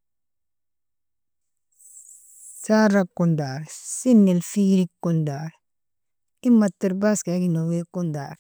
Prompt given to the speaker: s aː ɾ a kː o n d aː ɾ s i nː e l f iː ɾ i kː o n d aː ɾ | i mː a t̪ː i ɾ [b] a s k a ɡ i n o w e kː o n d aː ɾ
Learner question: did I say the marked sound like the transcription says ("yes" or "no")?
yes